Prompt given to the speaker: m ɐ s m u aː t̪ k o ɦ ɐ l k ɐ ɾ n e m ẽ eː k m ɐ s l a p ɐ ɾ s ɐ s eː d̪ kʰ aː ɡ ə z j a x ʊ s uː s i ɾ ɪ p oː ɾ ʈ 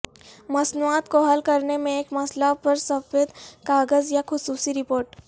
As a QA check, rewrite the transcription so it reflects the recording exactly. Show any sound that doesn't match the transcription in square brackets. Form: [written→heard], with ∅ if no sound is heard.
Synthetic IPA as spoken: m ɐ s [m→n] u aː t̪ k o ɦ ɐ l k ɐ ɾ n e m ẽ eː k m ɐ s l a p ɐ ɾ s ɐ [s→f] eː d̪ [kʰ→k] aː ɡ ə z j a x ʊ s uː s i ɾ ɪ p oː ɾ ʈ